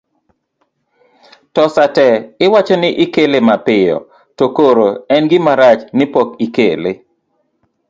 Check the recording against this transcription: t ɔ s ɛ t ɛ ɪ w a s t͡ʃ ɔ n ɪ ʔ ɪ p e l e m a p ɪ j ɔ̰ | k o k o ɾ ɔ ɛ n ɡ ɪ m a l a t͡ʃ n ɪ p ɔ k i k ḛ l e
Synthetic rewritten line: t ɔ s a t ɛ ɪ w a t͡ʃ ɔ n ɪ ʔ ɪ k e l e m a p ɪ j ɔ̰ | t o k o ɾ o ɛ n ɡ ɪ m a ɾ a t͡ʃ n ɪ p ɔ k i k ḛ l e